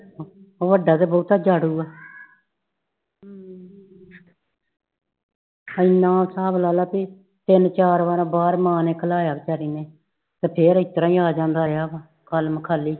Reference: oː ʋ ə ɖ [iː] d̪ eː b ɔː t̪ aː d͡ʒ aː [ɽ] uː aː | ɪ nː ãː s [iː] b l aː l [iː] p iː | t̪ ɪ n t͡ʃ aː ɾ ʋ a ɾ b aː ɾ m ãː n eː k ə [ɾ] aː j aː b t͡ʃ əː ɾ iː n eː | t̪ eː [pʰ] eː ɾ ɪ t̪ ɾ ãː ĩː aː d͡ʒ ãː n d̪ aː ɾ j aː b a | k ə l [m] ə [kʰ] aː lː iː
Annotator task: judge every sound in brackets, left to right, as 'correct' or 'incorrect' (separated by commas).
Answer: incorrect, correct, incorrect, incorrect, incorrect, correct, correct, correct